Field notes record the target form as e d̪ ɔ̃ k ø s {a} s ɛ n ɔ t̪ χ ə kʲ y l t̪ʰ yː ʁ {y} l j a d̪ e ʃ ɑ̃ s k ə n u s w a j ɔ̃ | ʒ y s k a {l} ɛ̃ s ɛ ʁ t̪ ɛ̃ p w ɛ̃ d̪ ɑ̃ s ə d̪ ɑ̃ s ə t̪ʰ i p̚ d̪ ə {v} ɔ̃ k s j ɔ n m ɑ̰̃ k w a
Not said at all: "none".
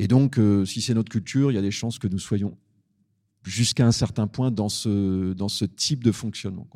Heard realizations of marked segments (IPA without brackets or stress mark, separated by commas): i, i, none, f